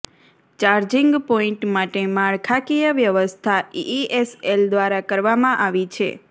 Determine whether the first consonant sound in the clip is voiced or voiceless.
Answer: voiceless